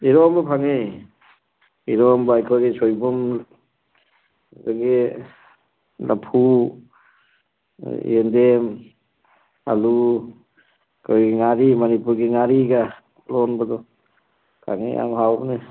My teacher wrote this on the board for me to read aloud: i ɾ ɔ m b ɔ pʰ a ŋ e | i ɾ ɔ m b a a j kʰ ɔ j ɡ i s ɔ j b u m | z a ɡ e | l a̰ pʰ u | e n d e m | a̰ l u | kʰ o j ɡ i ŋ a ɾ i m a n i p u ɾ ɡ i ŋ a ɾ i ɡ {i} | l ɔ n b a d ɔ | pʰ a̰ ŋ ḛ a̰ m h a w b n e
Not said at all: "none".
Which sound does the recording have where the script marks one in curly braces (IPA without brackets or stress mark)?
a